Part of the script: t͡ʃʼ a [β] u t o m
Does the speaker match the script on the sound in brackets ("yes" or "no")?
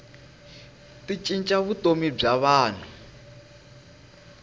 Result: yes